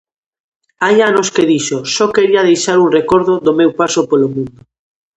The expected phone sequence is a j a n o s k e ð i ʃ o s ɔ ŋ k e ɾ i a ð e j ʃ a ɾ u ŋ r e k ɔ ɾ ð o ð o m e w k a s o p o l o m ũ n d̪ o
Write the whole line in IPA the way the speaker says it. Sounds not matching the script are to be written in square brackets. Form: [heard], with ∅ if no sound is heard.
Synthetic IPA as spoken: a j a n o s k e ð i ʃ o s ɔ [∅] k e ɾ i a ð e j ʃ a ɾ u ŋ r e k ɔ ɾ ð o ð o m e w [p] a s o p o l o m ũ n d̪ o